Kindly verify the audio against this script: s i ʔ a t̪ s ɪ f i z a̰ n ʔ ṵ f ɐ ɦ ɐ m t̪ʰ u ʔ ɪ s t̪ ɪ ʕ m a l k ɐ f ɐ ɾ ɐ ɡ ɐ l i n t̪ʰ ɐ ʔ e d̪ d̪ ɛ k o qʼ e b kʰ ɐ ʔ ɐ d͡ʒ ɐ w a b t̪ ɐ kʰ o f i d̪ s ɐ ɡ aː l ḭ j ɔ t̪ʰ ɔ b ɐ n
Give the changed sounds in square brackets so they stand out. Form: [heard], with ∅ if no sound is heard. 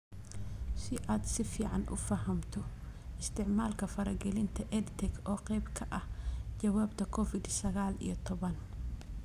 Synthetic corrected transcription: s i ʔ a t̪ s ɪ f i [ʕ] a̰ n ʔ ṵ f ɐ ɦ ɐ m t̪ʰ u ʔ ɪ s t̪ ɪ ʕ m a l k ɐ f ɐ ɾ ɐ ɡ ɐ l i n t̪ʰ ɐ ʔ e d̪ [t̪] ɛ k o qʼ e b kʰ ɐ ʔ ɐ d͡ʒ ɐ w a b t̪ ɐ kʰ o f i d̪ s ɐ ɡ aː l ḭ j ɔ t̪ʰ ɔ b ɐ n